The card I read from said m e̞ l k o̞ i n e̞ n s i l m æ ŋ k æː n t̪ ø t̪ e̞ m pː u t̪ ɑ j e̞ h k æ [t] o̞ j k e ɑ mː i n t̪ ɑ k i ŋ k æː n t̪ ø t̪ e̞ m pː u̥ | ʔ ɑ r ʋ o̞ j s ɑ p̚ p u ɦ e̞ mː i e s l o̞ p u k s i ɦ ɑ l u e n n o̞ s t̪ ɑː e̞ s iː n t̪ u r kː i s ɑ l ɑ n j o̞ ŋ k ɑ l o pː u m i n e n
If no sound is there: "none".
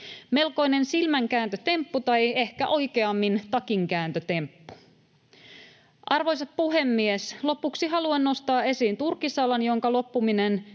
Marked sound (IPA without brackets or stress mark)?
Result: ʔ